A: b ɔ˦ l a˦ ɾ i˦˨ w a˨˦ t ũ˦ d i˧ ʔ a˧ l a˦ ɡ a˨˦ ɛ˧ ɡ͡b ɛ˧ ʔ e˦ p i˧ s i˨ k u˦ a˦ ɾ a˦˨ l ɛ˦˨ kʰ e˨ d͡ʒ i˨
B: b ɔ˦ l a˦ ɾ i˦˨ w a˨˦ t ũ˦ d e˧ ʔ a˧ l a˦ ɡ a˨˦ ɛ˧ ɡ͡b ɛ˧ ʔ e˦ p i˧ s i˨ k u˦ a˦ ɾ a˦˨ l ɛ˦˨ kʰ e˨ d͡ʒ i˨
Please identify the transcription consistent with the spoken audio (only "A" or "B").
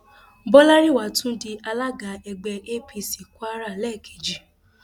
A